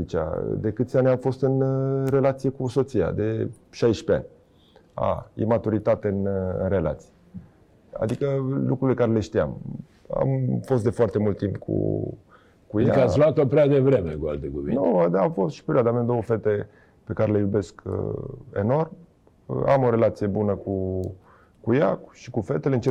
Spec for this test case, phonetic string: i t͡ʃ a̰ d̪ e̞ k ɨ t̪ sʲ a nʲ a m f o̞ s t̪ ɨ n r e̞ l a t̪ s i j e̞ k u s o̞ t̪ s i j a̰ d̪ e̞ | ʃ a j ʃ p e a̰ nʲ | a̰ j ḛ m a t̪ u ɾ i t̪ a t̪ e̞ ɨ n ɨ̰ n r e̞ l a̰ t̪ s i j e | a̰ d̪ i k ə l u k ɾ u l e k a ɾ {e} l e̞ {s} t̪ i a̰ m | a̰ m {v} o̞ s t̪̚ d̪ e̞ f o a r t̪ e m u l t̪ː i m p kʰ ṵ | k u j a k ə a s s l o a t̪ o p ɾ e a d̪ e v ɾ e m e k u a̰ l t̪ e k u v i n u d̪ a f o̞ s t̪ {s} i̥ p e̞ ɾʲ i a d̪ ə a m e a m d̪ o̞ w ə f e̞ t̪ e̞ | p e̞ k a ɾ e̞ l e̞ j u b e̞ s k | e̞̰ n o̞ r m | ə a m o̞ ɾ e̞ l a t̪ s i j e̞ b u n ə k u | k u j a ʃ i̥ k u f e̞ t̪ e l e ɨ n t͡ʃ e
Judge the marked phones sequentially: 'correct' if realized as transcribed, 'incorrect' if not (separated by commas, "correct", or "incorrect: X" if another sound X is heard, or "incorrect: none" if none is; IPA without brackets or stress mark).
correct, incorrect: ʃ, incorrect: f, incorrect: ʃ